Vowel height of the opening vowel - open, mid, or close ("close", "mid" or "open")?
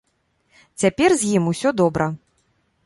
open